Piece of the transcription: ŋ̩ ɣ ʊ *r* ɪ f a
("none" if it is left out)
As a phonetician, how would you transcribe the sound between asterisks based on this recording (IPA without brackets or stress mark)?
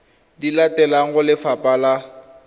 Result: l